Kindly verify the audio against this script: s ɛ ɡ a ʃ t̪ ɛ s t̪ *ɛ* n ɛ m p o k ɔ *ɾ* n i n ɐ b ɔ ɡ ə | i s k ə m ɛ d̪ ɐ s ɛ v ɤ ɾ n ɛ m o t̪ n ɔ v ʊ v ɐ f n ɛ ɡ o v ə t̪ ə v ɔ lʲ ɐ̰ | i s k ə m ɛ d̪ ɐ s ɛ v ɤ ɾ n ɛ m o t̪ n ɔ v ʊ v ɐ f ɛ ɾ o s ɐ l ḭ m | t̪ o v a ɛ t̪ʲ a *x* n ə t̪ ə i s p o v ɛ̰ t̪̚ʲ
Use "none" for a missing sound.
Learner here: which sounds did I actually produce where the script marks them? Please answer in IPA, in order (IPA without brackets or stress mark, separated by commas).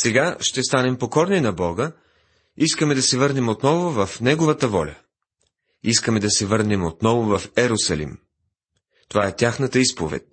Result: a, ɾ, x